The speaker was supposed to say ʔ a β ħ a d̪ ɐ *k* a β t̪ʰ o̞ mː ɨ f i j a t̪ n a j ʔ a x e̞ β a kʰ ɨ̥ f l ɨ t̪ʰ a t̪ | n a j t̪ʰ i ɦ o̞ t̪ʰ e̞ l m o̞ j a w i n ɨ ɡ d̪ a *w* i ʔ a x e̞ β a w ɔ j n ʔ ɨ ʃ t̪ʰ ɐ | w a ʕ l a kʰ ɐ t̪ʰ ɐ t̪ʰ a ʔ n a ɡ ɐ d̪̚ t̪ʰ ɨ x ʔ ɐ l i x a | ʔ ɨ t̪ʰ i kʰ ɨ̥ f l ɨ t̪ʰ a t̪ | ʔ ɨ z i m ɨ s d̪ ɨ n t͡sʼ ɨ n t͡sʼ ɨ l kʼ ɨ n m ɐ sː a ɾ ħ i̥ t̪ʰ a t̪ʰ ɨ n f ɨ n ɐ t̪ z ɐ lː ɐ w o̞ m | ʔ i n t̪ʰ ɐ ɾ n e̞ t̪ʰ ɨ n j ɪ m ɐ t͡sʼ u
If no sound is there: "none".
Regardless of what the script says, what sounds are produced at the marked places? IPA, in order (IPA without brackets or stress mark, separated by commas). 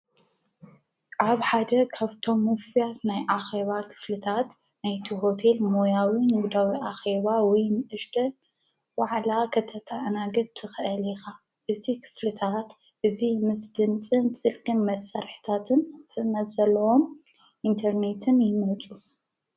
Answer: kʰ, w